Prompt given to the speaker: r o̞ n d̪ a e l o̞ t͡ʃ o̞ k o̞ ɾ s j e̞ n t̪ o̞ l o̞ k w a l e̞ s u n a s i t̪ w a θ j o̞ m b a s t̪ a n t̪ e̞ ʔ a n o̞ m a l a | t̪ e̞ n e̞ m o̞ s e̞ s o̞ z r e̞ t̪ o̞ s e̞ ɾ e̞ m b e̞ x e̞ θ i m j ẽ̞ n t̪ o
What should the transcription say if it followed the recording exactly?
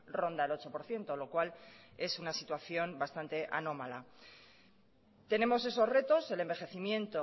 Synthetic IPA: r o̞ n d̪ a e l o̞ t͡ʃ o̞ p o̞ ɾ θ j e̞ n t̪ o̞ l o̞ k w a l e̞ s u n a s i t̪ w a θ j o̞ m b a s t̪ a n t̪ e̞ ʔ a n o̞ m a l a | t̪ e̞ n e̞ m o̞ s e̞ s o̞ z r e̞ t̪ o̞ s e̞ l e̞ m b e̞ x e̞ θ i m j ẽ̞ n t̪ o

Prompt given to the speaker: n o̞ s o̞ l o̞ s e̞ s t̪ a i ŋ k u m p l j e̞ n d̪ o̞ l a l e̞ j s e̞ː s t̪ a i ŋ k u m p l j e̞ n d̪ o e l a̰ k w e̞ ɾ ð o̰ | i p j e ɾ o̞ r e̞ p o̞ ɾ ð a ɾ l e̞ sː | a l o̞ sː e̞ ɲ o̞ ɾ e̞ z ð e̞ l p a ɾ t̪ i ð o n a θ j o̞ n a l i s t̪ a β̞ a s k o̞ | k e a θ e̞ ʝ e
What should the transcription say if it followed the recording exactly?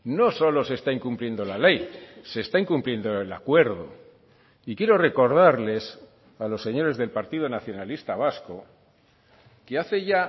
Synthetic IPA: n o̞ s o̞ l o̞ s e̞ s t̪ a i ŋ k u m p l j e̞ n d̪ o̞ l a l e̞ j s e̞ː s t̪ a i ŋ k u m p l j e̞ n d̪ o e l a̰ k w e̞ ɾ ð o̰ | i k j e ɾ o̞ r e̞ k o̞ ɾ ð a ɾ l e̞ s | a l o̞ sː e̞ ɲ o̞ ɾ e̞ z ð e̞ l p a ɾ t̪ i ð o n a θ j o̞ n a l i s t̪ a β̞ a s k o̞ | k e a θ e̞ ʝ a

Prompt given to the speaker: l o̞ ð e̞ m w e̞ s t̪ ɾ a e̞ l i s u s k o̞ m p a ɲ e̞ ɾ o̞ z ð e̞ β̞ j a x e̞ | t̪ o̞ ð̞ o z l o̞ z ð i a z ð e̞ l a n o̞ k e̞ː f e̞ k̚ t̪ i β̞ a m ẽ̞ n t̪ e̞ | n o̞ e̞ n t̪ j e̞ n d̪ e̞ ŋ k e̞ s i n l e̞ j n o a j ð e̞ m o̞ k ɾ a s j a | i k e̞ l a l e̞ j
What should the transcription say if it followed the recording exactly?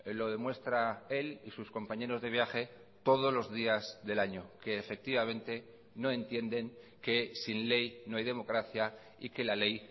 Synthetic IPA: l o̞ ð e̞ m w e̞ s t̪ ɾ a e̞ l i s u s k o̞ m p a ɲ e̞ ɾ o̞ z ð e̞ β̞ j a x e̞ | t̪ o̞ ð̞ o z l o̞ z ð i a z ð e̞ l a ɲ o̞ k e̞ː f e̞ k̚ t̪ i β̞ a m ẽ̞ n t̪ e̞ | n o̞ e̞ n t̪ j e̞ n d̪ e̞ ŋ k e̞ s i n l e̞ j n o a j ð e̞ m o̞ k ɾ a θ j a | i k e̞ l a l e̞ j

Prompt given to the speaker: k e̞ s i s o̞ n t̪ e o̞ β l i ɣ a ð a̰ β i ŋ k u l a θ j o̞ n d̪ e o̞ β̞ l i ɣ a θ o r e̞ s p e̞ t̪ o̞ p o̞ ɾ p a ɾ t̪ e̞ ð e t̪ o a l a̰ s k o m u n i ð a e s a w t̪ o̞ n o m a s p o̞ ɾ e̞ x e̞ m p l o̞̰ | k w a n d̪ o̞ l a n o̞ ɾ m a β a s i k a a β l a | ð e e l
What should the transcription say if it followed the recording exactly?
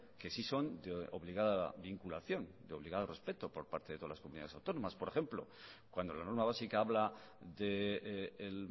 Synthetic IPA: k e̞ s i s o̞ n d̪ e o̞ β l i ɣ a ð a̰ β i ŋ k u l a θ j o̞ n d̪ e o̞ β̞ l i ɣ a ð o r e̞ s p e̞ t̪ o̞ p o̞ ɾ p a ɾ t̪ e̞ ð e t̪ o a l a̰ s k o m u n i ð a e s a w t̪ o̞ n o m a s p o̞ ɾ e̞ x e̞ m p l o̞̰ | k w a n d̪ o̞ l a n o̞ ɾ m a β a s i k a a β l a | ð e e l

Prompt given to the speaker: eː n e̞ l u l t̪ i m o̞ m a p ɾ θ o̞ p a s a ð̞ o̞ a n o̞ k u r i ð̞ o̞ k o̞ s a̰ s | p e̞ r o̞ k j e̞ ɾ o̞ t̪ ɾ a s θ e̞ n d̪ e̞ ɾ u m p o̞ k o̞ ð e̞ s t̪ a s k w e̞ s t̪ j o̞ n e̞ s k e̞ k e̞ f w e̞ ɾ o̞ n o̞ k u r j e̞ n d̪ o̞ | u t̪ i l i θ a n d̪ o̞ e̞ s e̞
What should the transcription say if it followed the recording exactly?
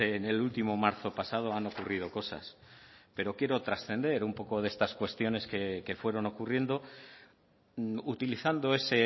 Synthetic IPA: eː n e̞ l u l t̪ i m o̞ m a ɾ θ o̞ p a s a ð̞ o̞ a n o̞ k u r i ð̞ o̞ k o̞ s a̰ s | p e̞ ɾ o̞ k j e̞ ɾ o̞ t̪ ɾ a s θ e̞ n d̪ e̞ ɾ u m p o̞ k o̞ ð e̞ s t̪ a s k w e̞ s t̪ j o̞ n e̞ s k e̞ k e̞ f w e̞ ɾ o̞ n o̞ k u r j e̞ n d̪ o̞ | u t̪ i l i θ a n d̪ o̞ e̞ s e̞

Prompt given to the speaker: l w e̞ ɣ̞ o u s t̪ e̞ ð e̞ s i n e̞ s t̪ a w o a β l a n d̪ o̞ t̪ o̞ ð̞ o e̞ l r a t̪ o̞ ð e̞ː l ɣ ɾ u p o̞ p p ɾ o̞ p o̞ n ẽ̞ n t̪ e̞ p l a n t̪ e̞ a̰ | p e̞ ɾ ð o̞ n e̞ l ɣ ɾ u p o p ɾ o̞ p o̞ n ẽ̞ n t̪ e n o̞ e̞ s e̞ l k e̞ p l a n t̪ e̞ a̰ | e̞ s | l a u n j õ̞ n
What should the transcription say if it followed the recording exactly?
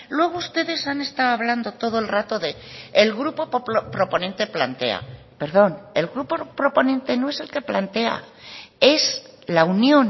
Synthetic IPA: l w e̞ ɣ̞ o u s t̪ e̞ ð e̞ s a n e̞ s t̪ a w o a β l a n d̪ o̞ t̪ o̞ ð̞ o e̞ l r a t̪ o̞ ð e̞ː l ɣ ɾ u p o̞ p p ɾ o̞ p o̞ n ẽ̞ n t̪ e̞ p l a n t̪ e̞ a̰ | p e̞ ɾ ð o̞ n e̞ l ɣ ɾ u p o p ɾ o̞ p o̞ n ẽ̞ n t̪ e n o̞ e̞ s e̞ l k e̞ p l a n t̪ e̞ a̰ | e̞ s | l a u n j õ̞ n

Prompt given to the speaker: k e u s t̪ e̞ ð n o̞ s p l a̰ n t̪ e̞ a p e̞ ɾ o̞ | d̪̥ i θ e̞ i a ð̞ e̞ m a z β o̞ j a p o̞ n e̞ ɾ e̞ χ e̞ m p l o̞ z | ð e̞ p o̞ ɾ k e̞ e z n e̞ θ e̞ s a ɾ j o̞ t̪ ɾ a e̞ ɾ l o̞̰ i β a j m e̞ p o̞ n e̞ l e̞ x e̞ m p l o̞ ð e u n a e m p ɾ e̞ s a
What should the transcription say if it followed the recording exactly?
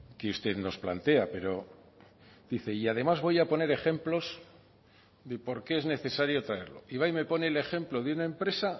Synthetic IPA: k e u s t̪ e̞ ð n o̞ s p l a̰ n t̪ e̞ a p e̞ ɾ o̞ | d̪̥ i θ e̞ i a ð̞ e̞ m a z β o̞ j a p o̞ n e̞ ɾ e̞ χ e̞ m p l o̞ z | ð e̞ p o̞ ɾ k e̞ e z n e̞ θ e̞ s a ɾ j o̞ t̪ ɾ a e̞ ɾ l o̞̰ i β a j m e̞ p o̞ n e̞ l e̞ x e̞ m p l o̞ ð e u n a e m p ɾ e̞ s a

